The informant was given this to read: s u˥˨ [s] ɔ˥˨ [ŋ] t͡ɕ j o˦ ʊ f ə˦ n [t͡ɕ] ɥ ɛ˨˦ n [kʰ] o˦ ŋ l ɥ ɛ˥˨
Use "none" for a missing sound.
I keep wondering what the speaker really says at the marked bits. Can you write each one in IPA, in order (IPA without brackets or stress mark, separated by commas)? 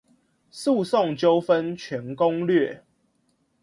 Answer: s, ŋ, t͡ɕʰ, k